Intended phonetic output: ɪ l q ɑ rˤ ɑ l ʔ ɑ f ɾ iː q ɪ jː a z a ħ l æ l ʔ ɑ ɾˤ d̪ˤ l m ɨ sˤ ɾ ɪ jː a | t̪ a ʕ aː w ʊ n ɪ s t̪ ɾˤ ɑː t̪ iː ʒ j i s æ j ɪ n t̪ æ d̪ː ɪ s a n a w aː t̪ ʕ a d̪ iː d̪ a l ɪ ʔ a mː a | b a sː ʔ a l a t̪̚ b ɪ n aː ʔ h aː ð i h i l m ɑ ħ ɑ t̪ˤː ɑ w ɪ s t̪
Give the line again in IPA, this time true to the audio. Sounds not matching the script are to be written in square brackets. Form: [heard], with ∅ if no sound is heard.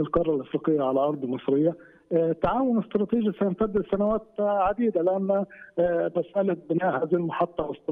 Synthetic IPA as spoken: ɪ l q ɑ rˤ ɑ l ʔ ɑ f ɾ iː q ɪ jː a [ʕ] a [∅] l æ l ʔ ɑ ɾˤ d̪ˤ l m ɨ sˤ ɾ ɪ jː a | t̪ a ʕ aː w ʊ n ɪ s t̪ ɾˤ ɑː t̪ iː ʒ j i s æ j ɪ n t̪ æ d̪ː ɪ s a n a w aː t̪ ʕ a d̪ iː d̪ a l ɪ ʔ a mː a | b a [s] ʔ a l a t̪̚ b ɪ n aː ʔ h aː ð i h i l m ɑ ħ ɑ t̪ˤː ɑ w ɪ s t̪